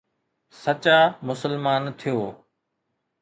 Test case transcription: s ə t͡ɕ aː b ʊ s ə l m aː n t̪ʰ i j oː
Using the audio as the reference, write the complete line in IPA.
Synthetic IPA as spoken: s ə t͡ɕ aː m ʊ s ə l m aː n t̪ʰ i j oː

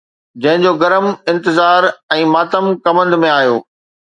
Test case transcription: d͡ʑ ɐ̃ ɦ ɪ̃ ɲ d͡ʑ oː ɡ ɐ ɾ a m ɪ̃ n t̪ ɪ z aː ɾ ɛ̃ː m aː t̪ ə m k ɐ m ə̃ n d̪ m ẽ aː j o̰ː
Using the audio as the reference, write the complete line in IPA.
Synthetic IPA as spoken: d͡ʑ ɐ̃ ɦ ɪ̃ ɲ d͡ʑ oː ɡ ɐ ɾ ə m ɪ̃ n t̪ ɪ z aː ɾ ɛ̃ː m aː t̪ ə m k ɐ m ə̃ n d̪ m ẽ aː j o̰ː

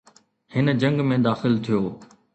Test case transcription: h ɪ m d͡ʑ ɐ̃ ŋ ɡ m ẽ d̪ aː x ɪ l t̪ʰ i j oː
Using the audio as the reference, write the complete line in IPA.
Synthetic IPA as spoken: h ɪ n d͡ʑ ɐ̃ ŋ ɡ m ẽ d̪ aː x ɪ l t̪ʰ i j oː

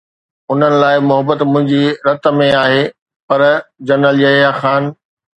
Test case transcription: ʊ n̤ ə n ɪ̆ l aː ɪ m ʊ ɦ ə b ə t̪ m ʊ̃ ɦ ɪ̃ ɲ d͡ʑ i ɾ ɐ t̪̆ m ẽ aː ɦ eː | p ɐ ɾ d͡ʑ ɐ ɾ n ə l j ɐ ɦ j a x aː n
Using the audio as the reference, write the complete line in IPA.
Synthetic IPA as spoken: ʊ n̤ ə n ɪ̆ l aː ɪ m ʊ ɦ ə b ə t̪ m ʊ̃ ɦ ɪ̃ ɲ d͡ʑ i ɾ ɐ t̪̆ m ẽ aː ɦ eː | p ɐ ɾ d͡ʑ ɐ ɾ n ə l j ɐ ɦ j a x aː n

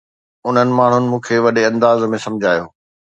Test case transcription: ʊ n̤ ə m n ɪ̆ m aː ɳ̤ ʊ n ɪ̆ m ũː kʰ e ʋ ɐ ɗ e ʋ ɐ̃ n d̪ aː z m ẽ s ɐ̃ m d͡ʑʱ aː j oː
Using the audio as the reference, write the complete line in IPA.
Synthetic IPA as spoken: ʊ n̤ ə n ɪ̆ m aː ɳ̤ ʊ n ɪ̆ m ũː kʰ e ʋ ɐ ɗ e ɐ̃ n d̪ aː z m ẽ s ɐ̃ m d͡ʑʱ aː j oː

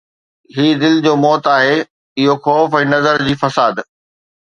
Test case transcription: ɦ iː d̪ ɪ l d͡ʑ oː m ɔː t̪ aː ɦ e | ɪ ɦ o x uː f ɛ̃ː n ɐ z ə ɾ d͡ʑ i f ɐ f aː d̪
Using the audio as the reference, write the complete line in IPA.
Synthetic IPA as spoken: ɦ iː d̪ ɪ l d͡ʑ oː m ɔː t̪ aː ɦ e | ɪ ɦ o x ɔː f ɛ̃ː n ɐ z ə ɾ d͡ʑ iː f ɐ s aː d̪

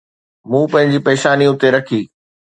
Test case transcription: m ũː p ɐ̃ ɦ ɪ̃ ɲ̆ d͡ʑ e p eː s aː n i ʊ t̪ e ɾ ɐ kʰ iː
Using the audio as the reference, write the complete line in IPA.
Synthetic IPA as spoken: m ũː p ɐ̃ ɦ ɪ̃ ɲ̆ d͡ʑ i p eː ʃ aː n i ʊ t̪ e ɾ ɐ kʰ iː

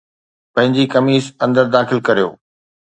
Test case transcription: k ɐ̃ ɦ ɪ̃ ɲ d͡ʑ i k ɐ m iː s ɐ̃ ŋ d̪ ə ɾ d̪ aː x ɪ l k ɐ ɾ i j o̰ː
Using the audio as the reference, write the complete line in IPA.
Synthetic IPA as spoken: p ɐ̃ ɦ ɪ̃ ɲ d͡ʑ i k ɐ m iː s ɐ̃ n d̪ ə ɾ d̪ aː x ɪ l k ɐ ɾ i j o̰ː

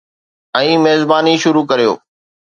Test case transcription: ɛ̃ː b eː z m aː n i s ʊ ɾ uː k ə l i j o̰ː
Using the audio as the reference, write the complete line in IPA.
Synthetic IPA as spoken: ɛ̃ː m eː z b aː n i ʃ ʊ ɾ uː k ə ɾ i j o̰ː

